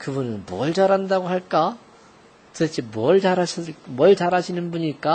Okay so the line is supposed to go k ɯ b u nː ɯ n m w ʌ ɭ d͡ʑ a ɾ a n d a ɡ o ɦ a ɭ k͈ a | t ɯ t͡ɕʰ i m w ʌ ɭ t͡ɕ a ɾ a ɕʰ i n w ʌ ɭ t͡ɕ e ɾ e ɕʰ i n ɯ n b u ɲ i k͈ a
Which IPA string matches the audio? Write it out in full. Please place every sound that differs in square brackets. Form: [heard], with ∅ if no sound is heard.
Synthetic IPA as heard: k ɯ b u [n] ɯ n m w ʌ ɭ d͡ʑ a ɾ a n d a ɡ o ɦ a ɭ k͈ a | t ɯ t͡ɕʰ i m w ʌ ɭ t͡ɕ a ɾ a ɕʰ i [m] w ʌ ɭ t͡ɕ [a] ɾ [a] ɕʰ i n ɯ n b u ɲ i k͈ a